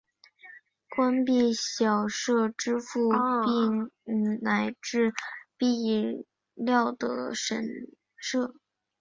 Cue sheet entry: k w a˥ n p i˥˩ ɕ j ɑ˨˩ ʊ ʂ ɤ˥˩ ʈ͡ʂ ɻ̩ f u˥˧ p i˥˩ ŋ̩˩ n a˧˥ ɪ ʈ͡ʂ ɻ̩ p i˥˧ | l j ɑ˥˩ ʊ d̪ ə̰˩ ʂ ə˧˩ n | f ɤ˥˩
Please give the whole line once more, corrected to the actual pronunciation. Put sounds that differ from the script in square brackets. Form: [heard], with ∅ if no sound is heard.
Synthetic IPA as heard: k w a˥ n p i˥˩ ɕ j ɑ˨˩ ʊ ʂ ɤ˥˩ ʈ͡ʂ ɻ̩ f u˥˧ p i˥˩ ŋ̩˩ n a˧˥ ɪ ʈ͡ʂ ɻ̩ p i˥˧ | l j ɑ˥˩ ʊ d̪ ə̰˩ ʂ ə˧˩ n | [ʂ] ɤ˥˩